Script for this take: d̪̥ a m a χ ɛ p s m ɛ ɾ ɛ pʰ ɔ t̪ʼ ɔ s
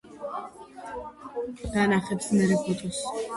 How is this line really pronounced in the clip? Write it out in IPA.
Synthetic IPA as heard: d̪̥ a n a χ ɛ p s m ɛ ɾ ɛ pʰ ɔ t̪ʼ ɔ s

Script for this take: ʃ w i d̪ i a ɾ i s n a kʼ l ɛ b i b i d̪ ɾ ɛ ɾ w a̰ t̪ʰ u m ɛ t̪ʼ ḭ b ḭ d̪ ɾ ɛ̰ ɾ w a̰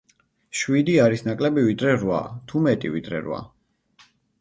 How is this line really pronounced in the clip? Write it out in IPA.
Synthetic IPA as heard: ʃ w i d̪ i a ɾ i s n a kʼ l ɛ b i v i d̪ ɾ ɛ ɾ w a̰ t̪ʰ u m ɛ t̪ʼ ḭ v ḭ d̪ ɾ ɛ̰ ɾ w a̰

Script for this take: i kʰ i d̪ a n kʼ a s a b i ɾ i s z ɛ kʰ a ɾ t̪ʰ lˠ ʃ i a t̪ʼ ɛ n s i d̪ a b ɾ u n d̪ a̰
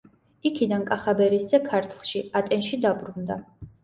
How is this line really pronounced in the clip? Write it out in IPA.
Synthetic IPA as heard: i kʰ i d̪ a n kʼ a χ a b ɛ ɾ i s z ɛ kʰ a ɾ t̪ʰ lˠ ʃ i a t̪ʼ ɛ n ʃ i d̪ a b ɾ u n d̪ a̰

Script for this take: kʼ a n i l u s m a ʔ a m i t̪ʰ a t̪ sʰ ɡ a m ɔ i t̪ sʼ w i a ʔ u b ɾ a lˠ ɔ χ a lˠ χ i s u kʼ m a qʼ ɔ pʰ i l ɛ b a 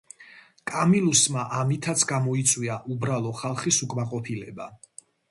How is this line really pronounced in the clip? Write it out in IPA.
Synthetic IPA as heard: kʼ a m i l u s m a ʔ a m i t̪ʰ a t̪ sʰ ɡ a m ɔ i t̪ sʼ w i a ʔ u b ɾ a lˠ ɔ χ a lˠ χ i s u kʼ m a qʼ ɔ pʰ i l ɛ b a

